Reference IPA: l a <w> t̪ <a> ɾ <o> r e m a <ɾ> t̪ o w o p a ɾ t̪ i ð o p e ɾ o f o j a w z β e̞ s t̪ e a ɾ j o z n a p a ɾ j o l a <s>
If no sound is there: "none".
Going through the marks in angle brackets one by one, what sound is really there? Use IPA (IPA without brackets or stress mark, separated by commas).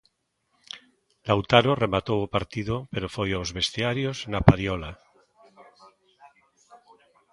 w, a, o, none, none